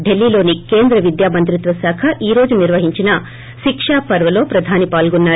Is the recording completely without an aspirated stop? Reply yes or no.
no